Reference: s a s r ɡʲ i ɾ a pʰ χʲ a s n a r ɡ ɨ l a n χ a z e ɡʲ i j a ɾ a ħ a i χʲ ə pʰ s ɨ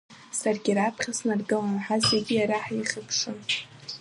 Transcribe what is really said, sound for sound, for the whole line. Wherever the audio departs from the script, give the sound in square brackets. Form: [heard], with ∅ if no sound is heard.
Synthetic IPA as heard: s a [∅] r ɡʲ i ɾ a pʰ χʲ a s n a r ɡ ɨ l a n [ħ] a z e ɡʲ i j a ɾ a ħ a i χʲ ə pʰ [ʂ] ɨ